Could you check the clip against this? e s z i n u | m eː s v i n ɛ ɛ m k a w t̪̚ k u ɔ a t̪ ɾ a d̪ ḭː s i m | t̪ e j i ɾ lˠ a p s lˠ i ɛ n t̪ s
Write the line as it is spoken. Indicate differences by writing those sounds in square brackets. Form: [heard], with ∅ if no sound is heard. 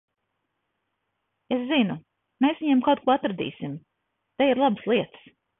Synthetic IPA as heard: e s z i n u | m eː s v i [ɲ] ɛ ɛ m k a w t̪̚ k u ɔ a t̪ ɾ a d̪ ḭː s i m | t̪ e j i ɾ lˠ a [b] s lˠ i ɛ [∅] t̪ s